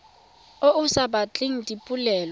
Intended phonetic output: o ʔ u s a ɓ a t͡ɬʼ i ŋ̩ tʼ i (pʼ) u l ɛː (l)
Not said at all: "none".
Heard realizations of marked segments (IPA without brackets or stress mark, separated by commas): pʼ, l